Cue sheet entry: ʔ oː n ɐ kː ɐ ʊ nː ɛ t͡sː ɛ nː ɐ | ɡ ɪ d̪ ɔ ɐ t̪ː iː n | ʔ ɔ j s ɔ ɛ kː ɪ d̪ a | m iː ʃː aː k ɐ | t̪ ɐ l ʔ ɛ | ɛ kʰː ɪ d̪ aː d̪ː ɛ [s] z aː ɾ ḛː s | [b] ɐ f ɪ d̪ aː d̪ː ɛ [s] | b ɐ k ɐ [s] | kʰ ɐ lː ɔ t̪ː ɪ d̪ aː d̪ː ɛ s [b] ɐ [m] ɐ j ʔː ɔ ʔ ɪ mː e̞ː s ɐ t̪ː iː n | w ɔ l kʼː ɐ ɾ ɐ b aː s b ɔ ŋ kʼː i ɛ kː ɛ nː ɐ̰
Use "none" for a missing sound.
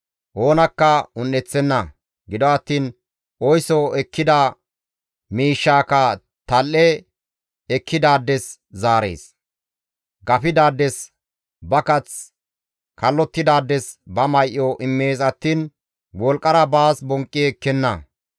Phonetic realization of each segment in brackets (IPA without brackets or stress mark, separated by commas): s, ɡ, s, t͡s, b, m